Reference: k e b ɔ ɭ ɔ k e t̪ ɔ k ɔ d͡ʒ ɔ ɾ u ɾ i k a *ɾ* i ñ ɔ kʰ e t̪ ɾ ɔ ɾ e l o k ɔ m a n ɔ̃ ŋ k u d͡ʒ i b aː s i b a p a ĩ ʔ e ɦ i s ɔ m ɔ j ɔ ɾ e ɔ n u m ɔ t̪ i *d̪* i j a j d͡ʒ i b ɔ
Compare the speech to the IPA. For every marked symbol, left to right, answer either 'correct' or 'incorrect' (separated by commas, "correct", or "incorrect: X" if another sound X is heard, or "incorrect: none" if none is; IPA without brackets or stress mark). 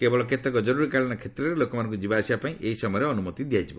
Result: incorrect: ɭ, correct